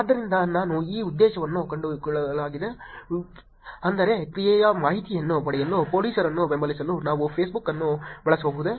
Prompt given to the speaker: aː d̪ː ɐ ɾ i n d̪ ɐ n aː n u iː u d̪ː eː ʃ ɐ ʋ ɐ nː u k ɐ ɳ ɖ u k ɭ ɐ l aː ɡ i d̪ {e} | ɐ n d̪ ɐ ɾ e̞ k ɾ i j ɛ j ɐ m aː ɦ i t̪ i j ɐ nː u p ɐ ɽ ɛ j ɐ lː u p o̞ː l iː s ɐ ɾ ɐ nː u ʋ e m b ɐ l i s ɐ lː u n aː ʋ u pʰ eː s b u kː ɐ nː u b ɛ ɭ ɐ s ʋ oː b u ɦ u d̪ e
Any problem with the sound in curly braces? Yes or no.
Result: no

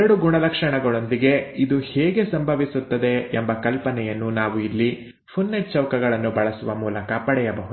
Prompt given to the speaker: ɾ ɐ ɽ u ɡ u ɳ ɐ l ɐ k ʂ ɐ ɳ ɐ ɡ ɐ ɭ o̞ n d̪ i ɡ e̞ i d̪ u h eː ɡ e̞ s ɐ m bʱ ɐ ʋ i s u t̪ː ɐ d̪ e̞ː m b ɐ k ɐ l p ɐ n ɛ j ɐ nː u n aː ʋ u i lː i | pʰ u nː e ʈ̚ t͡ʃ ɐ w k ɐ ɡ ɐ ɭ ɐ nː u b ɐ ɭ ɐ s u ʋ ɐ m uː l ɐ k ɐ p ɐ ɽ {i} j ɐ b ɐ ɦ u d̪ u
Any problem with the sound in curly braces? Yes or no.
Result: yes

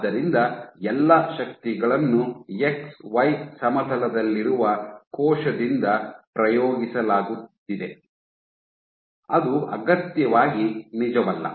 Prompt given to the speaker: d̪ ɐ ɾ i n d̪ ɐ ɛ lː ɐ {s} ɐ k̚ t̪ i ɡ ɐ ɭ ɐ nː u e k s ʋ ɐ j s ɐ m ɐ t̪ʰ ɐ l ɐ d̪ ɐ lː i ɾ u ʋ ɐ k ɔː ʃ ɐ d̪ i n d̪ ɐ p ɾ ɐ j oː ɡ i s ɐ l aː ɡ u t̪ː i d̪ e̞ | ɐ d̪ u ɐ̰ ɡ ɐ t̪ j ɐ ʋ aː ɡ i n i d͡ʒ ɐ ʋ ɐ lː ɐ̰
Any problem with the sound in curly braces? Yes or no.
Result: yes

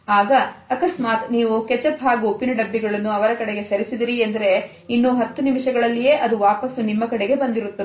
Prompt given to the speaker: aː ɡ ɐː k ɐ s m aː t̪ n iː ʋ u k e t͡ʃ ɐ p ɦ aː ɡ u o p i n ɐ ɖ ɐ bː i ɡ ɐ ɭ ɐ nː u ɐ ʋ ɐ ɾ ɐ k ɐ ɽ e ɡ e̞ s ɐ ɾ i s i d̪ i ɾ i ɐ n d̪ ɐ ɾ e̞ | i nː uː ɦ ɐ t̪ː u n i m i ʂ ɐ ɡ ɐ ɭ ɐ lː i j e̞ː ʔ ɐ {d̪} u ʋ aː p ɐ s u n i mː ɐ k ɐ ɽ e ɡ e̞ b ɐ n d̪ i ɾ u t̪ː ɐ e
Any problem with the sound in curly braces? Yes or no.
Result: no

